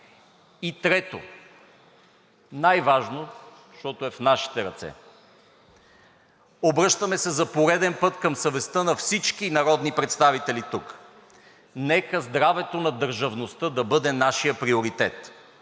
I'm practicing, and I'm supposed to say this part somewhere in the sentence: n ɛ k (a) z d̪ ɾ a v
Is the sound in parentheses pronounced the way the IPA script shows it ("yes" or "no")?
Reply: no